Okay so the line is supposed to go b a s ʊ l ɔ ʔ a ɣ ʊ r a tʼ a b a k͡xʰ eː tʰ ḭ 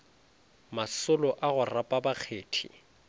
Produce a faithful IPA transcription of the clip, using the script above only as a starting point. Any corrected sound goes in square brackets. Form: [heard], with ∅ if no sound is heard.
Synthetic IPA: [m] a s ʊ l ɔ ʔ a ɣ ʊ r a [pʼ] a b a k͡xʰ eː tʰ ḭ